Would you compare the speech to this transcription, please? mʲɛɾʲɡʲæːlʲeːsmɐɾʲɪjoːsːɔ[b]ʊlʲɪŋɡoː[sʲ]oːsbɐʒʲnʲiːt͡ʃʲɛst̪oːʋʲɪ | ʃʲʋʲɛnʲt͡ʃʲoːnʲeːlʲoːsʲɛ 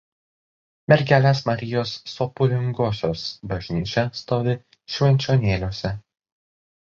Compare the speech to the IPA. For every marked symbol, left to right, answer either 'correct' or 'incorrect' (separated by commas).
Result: incorrect, correct